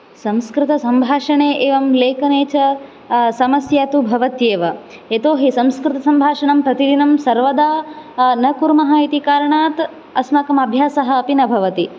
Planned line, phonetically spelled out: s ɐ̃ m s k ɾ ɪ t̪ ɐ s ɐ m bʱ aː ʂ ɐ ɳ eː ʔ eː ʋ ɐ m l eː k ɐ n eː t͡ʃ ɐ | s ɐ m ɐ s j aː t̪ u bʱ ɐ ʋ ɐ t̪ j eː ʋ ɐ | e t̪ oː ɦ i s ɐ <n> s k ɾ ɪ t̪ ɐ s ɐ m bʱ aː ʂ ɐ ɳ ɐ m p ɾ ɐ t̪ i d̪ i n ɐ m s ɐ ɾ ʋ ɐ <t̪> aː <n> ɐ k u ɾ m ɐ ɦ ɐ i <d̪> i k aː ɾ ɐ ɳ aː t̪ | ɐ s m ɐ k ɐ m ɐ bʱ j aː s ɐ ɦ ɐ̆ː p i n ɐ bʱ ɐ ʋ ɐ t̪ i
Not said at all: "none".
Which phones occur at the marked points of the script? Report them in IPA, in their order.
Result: m, d̪, n, t̪

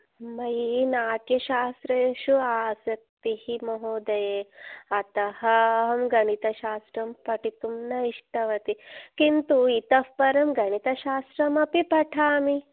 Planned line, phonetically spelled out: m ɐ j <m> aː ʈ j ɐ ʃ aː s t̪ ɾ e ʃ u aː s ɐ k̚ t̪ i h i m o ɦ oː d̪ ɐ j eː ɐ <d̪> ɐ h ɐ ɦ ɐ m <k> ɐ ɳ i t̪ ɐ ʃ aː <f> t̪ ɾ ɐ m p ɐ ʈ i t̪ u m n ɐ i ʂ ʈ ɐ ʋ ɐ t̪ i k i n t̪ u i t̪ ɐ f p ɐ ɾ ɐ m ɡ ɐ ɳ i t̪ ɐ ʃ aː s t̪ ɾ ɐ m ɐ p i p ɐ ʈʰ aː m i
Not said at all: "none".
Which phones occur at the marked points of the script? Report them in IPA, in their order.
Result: n, t̪, ɡ, s

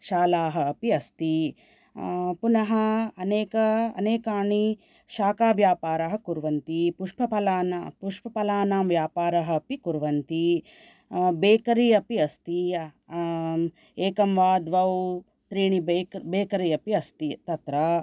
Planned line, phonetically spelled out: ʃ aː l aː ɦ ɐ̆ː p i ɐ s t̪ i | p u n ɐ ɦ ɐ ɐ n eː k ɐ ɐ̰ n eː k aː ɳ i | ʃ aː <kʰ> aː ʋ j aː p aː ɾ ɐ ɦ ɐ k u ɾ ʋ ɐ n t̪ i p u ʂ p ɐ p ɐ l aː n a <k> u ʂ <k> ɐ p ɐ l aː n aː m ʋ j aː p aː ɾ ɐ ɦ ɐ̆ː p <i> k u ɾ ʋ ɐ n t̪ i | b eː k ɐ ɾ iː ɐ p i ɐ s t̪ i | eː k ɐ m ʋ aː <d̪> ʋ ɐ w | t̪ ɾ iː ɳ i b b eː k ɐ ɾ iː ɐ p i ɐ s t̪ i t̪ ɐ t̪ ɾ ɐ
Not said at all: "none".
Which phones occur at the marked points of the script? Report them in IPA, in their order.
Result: k, p, p, i, d̪

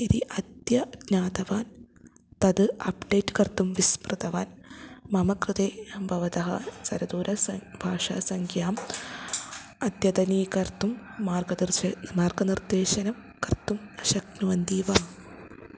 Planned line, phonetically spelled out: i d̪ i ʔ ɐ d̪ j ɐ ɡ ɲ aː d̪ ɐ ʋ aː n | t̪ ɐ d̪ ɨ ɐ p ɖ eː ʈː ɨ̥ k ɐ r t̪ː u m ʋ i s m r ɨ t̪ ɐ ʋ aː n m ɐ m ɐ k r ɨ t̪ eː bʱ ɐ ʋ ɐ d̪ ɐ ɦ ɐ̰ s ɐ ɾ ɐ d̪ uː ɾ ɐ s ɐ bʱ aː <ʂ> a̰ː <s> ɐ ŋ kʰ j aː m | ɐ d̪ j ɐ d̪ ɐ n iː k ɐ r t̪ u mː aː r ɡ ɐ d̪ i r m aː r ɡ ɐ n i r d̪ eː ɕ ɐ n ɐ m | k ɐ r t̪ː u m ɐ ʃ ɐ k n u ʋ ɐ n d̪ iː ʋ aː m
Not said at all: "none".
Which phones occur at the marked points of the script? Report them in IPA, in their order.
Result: ʂ, s

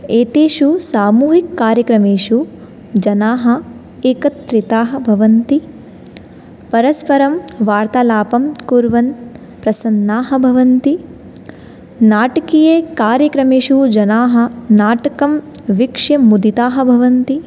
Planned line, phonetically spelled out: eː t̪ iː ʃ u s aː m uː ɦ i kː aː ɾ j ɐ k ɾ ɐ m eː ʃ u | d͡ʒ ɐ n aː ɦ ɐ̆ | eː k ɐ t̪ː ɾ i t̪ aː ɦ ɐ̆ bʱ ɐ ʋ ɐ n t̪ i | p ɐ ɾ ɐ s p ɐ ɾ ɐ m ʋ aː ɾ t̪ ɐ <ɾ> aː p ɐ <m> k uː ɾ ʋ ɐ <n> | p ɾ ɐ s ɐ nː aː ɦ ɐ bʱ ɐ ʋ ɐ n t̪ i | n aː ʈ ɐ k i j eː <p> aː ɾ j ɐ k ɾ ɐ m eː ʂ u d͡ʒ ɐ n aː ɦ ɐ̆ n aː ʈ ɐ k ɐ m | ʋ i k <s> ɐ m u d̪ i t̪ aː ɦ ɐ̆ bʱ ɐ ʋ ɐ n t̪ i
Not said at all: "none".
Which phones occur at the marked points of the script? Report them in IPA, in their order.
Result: l, m, n, k, ʂ

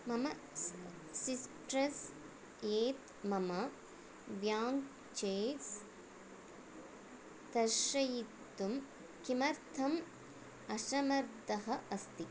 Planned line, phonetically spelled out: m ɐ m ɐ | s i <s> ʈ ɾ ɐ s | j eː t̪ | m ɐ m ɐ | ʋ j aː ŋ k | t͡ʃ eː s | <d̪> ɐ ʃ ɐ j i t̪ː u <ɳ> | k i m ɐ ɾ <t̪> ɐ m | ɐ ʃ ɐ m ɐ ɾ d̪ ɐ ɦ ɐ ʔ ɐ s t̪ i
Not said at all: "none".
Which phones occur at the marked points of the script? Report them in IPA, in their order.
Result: s, t̪, m, t̪ʰ

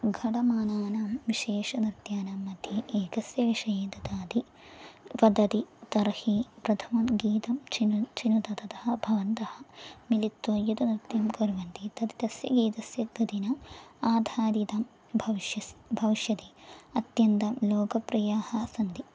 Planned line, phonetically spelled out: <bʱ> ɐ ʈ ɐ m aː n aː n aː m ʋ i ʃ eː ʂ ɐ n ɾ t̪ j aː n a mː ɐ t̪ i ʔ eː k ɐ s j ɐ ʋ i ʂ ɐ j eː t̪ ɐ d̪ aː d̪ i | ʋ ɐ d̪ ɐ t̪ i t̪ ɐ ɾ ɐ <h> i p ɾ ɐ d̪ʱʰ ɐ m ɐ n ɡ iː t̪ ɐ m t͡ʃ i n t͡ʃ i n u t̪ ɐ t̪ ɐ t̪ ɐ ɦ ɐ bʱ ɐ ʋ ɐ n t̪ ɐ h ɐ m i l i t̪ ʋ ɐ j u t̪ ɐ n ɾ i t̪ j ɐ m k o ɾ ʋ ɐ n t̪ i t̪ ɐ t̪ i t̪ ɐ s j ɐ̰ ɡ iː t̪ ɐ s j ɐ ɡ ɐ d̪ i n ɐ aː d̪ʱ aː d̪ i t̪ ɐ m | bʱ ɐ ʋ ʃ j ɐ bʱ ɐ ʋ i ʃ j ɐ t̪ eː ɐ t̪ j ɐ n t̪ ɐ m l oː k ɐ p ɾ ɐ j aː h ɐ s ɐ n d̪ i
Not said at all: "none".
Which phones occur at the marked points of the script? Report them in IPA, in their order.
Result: ɡʱ, h

